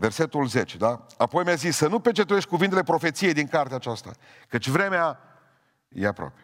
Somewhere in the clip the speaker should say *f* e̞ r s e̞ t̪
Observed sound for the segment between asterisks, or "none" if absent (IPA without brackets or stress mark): v